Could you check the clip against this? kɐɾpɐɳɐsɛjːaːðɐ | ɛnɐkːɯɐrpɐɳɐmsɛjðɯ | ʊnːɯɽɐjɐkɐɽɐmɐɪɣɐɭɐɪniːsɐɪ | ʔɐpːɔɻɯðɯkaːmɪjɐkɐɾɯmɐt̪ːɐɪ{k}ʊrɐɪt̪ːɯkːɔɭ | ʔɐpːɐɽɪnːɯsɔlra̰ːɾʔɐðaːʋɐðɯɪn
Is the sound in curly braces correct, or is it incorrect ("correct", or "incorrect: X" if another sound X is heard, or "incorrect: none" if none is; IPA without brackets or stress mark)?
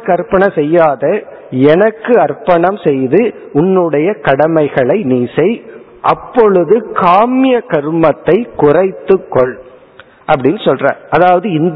correct